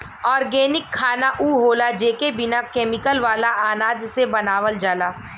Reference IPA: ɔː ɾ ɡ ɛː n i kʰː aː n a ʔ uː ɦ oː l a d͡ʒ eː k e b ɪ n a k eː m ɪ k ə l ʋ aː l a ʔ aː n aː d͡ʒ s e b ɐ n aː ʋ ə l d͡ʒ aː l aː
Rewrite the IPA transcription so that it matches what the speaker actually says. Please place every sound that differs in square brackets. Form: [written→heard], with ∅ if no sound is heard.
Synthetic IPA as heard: ɔː ɾ ɡ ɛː n [i→ɪ] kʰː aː n a ʔ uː ɦ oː l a d͡ʒ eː k e b ɪ n a k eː m ɪ k ə l ʋ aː l a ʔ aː n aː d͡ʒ s e b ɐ n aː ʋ ə l d͡ʒ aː l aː